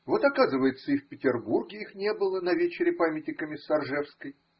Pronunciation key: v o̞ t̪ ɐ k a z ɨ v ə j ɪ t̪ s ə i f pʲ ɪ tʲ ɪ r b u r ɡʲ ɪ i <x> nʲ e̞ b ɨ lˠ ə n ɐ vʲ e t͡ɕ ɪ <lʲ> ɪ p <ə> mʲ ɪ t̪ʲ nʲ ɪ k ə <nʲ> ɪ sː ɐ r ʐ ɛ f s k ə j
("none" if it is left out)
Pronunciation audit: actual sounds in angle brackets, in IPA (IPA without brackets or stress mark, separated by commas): x, ɾʲ, a, mʲ